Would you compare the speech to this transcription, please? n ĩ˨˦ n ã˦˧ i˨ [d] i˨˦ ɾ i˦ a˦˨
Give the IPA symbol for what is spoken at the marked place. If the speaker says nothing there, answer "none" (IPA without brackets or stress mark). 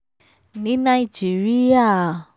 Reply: d͡ʒ